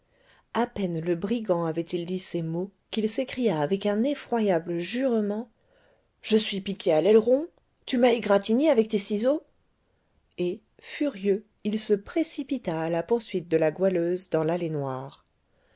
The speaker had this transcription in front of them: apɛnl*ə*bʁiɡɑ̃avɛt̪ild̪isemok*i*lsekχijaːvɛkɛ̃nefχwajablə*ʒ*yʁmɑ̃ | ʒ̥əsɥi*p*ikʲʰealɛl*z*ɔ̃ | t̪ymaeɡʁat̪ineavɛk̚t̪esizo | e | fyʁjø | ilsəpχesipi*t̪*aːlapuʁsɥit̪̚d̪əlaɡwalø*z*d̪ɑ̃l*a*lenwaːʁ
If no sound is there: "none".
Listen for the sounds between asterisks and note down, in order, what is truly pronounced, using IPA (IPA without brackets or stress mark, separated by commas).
ə, i, ʒ, p, ʁ, t̪, z, a